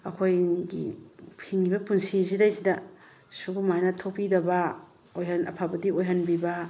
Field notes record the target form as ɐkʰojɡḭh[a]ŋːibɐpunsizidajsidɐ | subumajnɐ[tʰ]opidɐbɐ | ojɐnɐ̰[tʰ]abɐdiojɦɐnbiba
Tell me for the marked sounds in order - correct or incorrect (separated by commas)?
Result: incorrect, correct, incorrect